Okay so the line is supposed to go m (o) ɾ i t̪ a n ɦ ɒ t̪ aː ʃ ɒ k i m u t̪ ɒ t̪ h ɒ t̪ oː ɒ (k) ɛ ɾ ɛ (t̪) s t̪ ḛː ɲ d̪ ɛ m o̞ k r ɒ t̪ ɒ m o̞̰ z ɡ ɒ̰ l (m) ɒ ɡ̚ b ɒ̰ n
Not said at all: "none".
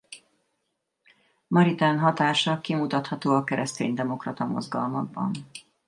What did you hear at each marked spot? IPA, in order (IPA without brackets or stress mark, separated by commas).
ɒ, k, none, m